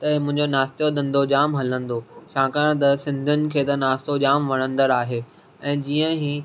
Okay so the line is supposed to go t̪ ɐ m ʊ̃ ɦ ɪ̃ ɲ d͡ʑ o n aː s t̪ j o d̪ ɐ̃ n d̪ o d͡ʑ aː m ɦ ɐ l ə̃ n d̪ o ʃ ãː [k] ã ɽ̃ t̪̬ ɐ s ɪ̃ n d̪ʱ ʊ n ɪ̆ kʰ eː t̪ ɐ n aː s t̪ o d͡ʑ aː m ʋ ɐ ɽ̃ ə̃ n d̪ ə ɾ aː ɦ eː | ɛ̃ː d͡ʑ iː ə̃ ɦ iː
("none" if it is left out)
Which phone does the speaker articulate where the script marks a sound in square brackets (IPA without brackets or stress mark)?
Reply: k